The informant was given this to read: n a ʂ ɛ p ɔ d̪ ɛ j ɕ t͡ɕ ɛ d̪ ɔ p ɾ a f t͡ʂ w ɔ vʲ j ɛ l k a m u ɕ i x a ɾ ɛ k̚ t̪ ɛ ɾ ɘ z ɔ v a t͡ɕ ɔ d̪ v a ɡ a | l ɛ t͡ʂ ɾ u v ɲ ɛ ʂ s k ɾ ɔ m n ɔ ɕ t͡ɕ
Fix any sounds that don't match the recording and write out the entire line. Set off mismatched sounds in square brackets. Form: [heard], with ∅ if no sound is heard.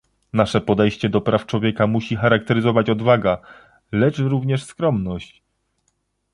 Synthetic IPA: n a ʂ ɛ p ɔ d̪ ɛ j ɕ t͡ɕ ɛ d̪ ɔ p ɾ a f t͡ʂ w ɔ vʲ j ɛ [∅] k a m u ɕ i x a ɾ [a] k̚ t̪ ɛ ɾ ɘ z ɔ v a t͡ɕ ɔ d̪ v a ɡ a | l ɛ t͡ʂ ɾ u v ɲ ɛ ʂ s k ɾ ɔ m n ɔ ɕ t͡ɕ